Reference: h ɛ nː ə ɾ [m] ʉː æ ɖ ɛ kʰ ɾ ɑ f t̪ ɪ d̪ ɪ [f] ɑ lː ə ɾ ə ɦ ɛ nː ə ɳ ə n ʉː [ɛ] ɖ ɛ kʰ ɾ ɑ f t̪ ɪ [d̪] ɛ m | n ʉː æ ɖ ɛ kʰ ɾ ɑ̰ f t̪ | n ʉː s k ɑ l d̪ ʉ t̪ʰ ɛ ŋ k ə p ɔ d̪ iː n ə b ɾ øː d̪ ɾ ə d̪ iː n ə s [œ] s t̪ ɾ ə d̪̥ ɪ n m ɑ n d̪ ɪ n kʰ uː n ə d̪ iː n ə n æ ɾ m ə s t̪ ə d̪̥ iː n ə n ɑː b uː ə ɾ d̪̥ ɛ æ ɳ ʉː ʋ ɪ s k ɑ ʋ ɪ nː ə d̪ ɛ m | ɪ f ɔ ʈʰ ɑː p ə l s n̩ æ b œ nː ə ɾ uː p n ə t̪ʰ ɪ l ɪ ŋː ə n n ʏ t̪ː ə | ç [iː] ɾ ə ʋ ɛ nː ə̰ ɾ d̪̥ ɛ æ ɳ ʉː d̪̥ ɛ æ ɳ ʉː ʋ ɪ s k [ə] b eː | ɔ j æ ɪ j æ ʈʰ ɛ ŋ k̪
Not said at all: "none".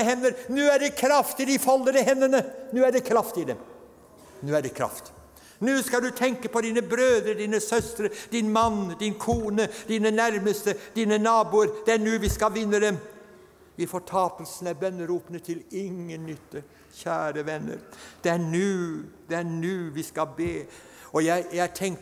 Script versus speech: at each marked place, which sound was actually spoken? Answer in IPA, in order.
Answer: n, f, æ, d̪, œ, æː, ɑ

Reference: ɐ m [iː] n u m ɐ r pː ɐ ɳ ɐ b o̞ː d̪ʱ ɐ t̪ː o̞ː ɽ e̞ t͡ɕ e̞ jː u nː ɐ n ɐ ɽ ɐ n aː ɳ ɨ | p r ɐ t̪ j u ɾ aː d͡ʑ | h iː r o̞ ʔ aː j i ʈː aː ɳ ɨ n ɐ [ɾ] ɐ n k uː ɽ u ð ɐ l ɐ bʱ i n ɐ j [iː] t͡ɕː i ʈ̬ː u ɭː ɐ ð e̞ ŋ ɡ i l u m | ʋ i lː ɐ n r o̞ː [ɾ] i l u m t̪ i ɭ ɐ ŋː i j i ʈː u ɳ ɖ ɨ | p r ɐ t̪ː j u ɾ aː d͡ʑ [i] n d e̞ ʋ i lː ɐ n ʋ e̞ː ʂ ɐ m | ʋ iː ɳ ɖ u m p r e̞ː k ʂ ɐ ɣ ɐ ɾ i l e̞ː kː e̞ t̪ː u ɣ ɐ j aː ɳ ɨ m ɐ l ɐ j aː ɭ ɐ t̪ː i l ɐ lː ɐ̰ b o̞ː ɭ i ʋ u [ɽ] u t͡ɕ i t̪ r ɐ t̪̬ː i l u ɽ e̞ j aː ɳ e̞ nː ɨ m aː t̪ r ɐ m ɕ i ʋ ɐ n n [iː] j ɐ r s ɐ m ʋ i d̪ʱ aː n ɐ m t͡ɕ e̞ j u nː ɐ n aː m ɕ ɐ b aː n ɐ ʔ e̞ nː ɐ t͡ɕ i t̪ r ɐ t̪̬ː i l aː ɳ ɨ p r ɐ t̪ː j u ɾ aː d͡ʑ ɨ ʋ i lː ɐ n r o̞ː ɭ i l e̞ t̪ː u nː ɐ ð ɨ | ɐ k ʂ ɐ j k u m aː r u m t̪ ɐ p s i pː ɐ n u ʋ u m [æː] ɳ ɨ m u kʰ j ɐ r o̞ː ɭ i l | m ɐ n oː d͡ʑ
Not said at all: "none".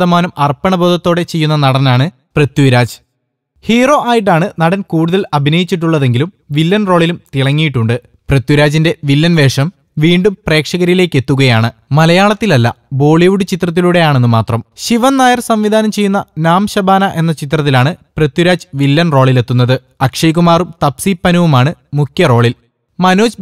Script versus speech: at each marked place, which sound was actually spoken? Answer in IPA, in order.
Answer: aː, ɽ, i, ɭ, i, ɽ, aː, aː

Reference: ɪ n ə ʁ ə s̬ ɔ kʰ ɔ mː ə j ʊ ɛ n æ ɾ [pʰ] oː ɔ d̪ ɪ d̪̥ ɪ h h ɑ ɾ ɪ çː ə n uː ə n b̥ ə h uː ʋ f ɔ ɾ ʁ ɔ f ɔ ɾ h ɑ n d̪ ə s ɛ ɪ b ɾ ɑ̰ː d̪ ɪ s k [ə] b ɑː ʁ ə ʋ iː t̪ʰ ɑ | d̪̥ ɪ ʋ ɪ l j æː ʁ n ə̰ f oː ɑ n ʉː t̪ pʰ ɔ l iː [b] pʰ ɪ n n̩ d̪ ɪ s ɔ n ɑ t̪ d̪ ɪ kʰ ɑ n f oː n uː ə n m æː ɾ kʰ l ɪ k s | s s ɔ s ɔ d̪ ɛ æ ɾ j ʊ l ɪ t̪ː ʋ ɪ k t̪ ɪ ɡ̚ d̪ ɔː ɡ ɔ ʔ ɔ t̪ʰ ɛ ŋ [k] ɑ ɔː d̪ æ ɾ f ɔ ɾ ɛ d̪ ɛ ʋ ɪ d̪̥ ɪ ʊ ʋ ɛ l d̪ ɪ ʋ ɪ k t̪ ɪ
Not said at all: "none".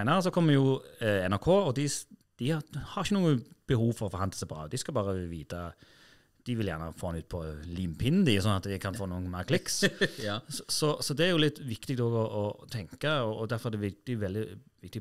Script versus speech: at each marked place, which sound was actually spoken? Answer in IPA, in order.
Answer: kʰ, ɑ, m, k

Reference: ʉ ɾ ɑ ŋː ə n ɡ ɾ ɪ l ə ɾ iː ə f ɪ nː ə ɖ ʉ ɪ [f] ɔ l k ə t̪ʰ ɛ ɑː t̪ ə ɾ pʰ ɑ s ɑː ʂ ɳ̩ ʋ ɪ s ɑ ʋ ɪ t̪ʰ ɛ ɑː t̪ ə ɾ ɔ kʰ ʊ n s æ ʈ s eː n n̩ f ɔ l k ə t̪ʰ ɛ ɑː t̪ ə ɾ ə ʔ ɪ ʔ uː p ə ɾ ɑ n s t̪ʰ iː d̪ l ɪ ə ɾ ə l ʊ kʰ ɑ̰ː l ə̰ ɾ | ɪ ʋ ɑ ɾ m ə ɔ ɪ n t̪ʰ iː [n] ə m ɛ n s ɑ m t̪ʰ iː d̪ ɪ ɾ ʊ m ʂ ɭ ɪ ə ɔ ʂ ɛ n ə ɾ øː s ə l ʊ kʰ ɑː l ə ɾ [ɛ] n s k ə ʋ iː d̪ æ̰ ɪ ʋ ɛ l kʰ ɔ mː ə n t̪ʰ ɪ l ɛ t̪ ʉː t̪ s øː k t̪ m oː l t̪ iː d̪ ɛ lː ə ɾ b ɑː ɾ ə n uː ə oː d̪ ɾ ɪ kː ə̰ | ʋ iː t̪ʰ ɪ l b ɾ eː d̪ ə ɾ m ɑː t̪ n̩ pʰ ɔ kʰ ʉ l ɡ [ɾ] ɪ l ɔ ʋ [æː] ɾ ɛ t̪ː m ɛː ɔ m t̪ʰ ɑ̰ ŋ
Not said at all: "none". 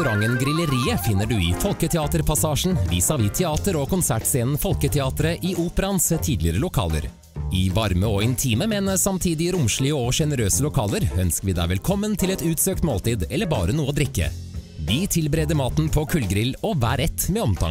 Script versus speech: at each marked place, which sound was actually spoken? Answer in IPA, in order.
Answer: f, m, œ, ɾ, æː

